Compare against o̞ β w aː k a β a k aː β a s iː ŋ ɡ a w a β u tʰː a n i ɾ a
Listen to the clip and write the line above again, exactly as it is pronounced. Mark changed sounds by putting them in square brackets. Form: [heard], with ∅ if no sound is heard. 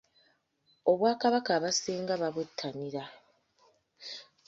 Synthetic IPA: o̞ β w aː k a β a k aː β a s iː ŋ ɡ a [β] a β u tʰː a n i ɾ a